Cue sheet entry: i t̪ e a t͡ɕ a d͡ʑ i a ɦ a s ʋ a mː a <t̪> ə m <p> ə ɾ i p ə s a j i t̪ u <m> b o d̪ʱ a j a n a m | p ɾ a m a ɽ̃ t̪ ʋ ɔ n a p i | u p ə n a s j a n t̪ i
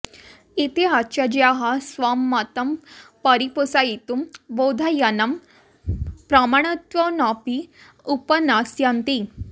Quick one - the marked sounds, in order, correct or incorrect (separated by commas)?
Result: correct, correct, correct